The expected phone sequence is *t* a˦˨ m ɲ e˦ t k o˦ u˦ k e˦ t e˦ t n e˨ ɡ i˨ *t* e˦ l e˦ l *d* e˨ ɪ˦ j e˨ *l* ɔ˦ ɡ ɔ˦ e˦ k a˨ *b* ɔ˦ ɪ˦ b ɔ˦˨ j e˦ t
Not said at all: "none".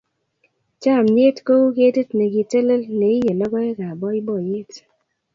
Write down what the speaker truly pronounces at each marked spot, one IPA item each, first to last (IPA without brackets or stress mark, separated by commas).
t͡ʃ, t, n, l, b